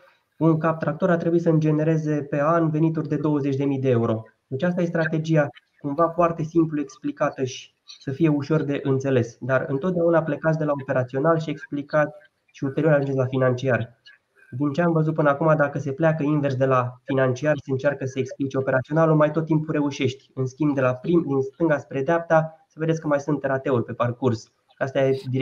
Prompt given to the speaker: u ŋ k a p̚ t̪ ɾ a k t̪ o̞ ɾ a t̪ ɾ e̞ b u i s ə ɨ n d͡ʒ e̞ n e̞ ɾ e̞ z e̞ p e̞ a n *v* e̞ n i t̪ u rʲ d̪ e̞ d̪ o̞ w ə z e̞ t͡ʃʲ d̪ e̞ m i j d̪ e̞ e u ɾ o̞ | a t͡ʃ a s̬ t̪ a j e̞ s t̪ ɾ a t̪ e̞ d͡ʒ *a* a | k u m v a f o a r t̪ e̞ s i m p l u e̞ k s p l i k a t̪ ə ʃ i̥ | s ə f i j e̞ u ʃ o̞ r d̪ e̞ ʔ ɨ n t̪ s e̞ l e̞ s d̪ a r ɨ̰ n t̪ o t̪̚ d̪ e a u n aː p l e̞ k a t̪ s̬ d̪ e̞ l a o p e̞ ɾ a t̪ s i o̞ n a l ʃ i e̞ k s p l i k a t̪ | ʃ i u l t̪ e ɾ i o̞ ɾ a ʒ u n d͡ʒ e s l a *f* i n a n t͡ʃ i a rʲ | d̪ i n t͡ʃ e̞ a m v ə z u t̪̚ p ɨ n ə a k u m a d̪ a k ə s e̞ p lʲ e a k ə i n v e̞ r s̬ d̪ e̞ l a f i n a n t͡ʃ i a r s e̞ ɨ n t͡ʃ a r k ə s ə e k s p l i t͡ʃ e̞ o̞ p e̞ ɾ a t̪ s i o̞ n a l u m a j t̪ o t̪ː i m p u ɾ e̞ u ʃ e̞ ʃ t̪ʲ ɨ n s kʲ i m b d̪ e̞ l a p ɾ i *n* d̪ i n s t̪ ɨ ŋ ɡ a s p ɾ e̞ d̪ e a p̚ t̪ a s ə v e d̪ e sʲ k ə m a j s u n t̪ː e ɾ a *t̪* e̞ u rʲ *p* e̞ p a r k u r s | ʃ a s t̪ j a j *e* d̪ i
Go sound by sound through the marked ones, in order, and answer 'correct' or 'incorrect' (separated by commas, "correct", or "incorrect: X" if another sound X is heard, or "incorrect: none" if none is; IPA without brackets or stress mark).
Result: correct, incorrect: i, correct, incorrect: m, correct, correct, correct